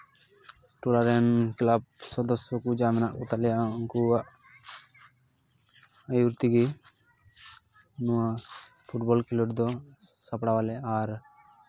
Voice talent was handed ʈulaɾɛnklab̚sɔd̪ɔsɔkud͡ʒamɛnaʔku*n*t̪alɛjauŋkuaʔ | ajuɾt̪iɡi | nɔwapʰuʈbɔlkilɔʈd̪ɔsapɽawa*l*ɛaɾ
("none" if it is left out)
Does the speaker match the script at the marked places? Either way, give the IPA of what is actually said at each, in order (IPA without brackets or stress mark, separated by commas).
none, l